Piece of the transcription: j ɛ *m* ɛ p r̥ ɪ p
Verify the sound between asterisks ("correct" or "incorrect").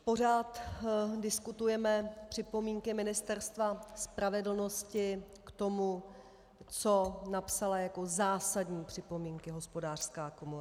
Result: correct